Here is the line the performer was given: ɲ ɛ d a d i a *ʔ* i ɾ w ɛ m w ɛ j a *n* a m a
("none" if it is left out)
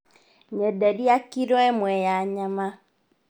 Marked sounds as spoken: k, ɲ

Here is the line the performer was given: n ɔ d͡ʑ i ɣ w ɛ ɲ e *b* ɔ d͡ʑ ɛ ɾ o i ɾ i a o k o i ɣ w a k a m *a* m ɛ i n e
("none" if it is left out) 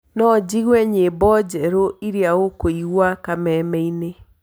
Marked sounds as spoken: b, ɛ

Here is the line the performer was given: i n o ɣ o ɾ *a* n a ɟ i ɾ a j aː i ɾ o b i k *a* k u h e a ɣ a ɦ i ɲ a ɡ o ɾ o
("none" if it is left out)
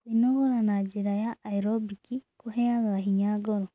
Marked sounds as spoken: a, i

